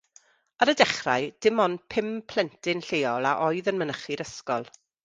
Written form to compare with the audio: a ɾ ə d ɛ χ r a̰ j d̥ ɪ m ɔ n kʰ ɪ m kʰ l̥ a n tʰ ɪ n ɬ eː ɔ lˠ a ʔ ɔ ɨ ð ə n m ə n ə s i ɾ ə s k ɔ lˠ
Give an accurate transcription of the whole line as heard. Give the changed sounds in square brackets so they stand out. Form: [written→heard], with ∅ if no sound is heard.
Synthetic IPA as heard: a ɾ ə d ɛ χ r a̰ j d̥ ɪ m ɔ n [kʰ→pʰ] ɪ m [kʰ→pʰ] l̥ [a→ɛ] n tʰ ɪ n ɬ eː ɔ lˠ a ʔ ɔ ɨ ð ə n m ə n ə [s→χ] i ɾ ə s k ɔ lˠ

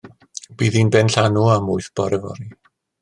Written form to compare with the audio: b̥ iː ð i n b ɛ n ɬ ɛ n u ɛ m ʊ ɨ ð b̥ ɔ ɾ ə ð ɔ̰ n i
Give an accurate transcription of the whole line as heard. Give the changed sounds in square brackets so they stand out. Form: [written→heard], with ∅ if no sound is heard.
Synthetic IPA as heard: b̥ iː ð i n b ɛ n ɬ [ɛ→a] n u [ɛ→a] m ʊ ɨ [ð→θ] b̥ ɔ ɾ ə [ð→v] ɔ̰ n i

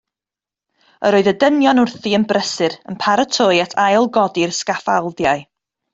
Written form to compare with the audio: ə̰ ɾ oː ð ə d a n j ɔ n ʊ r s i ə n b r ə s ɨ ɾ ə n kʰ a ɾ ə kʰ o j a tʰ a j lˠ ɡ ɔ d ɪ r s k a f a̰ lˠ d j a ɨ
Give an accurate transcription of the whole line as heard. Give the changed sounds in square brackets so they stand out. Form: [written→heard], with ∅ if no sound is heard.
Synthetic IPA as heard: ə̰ ɾ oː ð ə d [a→ə] n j ɔ n ʊ r [s→θ] i ə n b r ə s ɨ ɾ ə n [kʰ→pʰ] a ɾ ə [kʰ→tʰ] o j a tʰ a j lˠ ɡ ɔ d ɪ r s k a f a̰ lˠ d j a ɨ

